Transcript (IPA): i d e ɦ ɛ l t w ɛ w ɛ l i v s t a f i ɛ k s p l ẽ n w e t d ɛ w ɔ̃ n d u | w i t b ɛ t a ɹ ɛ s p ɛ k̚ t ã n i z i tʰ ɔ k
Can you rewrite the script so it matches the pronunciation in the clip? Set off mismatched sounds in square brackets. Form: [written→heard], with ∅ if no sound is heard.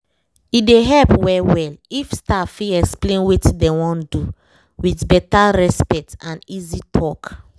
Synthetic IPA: i d e ɦ ɛ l [t→p] w ɛ w ɛ l i [v→f] s t a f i ɛ k s p l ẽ n w e t d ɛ w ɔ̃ n d u | w i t b ɛ t a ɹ ɛ s p ɛ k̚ t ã n i z i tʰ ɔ k